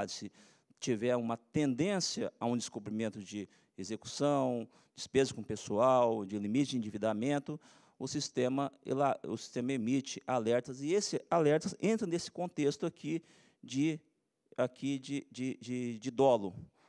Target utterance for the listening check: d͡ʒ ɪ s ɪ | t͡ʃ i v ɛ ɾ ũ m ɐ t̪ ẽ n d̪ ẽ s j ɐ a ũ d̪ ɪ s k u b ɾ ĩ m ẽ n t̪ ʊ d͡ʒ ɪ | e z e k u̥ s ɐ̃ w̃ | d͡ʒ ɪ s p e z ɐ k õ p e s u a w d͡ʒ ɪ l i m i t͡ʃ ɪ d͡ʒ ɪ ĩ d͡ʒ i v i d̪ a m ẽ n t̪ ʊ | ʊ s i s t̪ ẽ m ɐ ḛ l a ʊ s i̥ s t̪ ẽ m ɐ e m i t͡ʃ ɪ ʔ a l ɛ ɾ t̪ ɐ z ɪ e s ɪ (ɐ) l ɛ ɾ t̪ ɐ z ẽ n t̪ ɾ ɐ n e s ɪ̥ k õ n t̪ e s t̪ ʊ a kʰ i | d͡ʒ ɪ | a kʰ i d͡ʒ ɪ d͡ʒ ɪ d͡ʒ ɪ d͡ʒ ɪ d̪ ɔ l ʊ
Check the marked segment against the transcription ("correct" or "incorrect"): incorrect